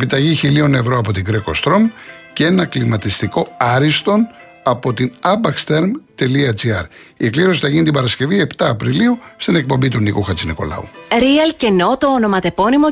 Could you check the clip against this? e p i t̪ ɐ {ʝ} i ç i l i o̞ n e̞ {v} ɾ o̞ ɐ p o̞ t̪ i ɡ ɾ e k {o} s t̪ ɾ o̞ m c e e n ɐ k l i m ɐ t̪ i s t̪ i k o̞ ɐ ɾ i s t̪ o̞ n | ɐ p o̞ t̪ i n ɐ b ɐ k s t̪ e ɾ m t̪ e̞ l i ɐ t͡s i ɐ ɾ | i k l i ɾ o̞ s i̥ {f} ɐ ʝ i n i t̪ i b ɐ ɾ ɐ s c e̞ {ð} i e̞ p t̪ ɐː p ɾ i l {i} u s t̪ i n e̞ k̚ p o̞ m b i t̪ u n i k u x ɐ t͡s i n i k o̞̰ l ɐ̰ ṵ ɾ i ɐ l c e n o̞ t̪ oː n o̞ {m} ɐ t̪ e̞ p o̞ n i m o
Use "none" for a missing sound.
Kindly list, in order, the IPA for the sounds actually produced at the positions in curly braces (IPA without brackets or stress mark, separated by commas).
ʝ, v, o, θ, v, i, m